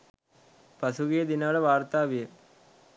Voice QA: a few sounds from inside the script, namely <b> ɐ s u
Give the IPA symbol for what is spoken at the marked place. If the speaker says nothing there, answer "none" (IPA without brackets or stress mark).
p